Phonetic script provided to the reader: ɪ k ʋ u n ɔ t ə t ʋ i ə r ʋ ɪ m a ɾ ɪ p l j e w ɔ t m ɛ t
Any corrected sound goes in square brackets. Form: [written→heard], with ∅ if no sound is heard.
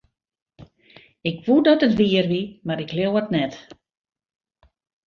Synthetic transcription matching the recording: ɪ k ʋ u [n→d] ɔ t ə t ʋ i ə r ʋ [ɪ→i] m a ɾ ɪ [p→k] l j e w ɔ t [m→n] ɛ t